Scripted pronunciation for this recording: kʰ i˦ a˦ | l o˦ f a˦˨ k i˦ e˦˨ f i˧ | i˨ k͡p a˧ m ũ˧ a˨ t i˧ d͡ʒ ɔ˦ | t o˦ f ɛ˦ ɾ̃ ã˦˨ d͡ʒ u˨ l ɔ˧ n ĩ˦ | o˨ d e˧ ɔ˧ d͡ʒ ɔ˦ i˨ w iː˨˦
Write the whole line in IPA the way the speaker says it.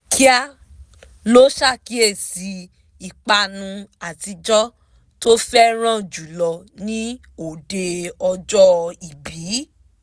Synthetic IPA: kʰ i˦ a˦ | l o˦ ʃ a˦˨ k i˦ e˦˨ s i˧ | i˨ k͡p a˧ n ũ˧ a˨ t i˧ d͡ʒ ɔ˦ | t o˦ f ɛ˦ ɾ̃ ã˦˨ d͡ʒ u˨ l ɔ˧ n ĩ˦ | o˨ d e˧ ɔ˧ d͡ʒ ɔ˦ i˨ b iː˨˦